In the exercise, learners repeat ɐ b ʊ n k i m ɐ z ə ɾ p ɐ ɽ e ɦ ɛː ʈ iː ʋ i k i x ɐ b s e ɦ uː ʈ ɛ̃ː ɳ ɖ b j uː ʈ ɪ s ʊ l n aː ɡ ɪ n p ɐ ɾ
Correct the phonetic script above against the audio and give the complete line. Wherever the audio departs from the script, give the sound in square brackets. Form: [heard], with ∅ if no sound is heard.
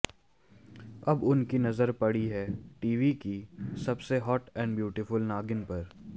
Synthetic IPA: ɐ b ʊ n k i [n] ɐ z ə ɾ p ɐ ɽ [i] ɦ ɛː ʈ iː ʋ i k i [s] ɐ b s e ɦ [ɔː] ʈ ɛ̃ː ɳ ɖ b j uː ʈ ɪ [f] ʊ l n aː ɡ ɪ n p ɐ ɾ